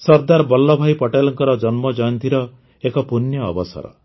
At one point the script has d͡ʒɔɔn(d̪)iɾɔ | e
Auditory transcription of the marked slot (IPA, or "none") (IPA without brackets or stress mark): t̪